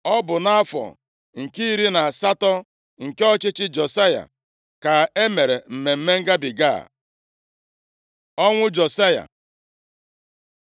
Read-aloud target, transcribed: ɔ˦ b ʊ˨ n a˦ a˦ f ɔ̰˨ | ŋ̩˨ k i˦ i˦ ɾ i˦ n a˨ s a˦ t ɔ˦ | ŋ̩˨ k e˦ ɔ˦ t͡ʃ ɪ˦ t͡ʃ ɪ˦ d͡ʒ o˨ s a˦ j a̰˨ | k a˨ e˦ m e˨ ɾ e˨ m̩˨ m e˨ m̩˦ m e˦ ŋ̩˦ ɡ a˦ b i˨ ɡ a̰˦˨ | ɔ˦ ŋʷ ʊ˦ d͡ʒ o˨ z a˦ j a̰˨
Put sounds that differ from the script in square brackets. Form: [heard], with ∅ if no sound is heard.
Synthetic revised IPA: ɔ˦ b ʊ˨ n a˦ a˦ f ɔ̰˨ | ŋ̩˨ k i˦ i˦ ɾ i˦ n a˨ s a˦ t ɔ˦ | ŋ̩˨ k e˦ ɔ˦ t͡ʃ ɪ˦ t͡ʃ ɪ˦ d͡ʒ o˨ s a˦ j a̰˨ | k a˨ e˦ m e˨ ɾ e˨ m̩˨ m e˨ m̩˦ m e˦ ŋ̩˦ ɡ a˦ b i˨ ɡ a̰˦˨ | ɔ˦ ŋʷ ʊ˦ d͡ʒ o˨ [s] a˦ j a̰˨